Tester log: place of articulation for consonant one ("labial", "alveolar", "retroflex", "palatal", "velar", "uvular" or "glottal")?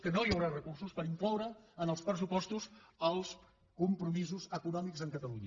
velar